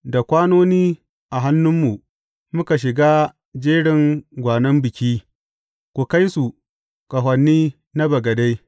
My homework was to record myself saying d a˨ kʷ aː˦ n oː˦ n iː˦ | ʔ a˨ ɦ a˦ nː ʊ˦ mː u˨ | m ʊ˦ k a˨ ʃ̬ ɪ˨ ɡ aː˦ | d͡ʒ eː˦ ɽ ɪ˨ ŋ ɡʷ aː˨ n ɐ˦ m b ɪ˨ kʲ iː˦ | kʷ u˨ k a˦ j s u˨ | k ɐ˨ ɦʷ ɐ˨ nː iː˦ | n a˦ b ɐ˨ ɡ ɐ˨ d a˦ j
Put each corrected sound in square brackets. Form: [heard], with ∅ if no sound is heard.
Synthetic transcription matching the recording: d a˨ kʷ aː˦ n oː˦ n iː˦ | ʔ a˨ ɦ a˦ nː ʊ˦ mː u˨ | m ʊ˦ k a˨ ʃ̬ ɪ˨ ɡ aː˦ | d͡ʒ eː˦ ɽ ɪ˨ ŋ ɡʷ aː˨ n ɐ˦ m b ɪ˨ kʲ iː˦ | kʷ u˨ k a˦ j s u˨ | k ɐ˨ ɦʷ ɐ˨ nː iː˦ | n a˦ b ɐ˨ ɡ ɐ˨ d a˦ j

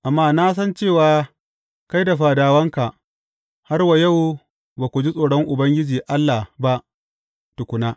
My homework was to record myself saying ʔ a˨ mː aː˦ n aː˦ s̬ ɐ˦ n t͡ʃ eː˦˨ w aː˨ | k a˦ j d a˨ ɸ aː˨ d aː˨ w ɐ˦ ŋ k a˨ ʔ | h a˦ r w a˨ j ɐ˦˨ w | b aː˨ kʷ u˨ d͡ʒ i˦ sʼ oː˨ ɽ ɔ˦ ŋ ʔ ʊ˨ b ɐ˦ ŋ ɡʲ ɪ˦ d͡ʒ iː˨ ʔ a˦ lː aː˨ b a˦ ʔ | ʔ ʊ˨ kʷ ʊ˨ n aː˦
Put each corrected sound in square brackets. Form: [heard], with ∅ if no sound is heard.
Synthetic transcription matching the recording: ʔ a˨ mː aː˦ n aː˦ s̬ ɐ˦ n t͡ʃ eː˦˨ w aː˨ | k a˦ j d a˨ ɸ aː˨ d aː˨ w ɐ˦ ŋ k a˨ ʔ | h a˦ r w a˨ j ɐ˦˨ w | b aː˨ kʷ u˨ d͡ʒ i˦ sʼ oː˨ ɽ ɔ˦ ŋ ʔ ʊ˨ b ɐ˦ ŋ ɡʲ ɪ˦ d͡ʒ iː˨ ʔ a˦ lː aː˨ b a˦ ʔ | [t] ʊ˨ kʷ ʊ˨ n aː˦

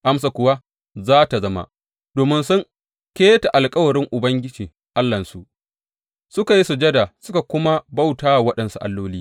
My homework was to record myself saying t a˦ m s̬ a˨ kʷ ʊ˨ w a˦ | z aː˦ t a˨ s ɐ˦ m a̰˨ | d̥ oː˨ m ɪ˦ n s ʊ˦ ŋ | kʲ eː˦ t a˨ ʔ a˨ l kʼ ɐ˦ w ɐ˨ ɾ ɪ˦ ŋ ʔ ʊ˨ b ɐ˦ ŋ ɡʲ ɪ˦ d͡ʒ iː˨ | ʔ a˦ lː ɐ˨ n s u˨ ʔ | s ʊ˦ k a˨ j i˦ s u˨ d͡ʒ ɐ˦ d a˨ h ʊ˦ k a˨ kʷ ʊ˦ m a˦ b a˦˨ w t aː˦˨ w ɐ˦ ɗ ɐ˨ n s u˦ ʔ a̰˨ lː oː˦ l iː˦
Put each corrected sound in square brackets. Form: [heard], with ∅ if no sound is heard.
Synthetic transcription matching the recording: [ʔ] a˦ m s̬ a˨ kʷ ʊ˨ w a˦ | z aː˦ t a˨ [z] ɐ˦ m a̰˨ | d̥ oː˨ m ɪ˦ n s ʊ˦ ŋ | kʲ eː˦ t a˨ ʔ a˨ l kʼ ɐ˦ w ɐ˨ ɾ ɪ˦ ŋ ʔ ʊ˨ b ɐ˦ ŋ ɡʲ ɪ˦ d͡ʒ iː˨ | ʔ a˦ lː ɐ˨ n s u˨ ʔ | s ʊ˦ k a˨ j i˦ s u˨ d͡ʒ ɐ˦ d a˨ [s] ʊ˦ k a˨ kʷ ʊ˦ m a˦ b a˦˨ w t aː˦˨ w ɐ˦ ɗ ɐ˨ n s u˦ ʔ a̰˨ lː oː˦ l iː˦

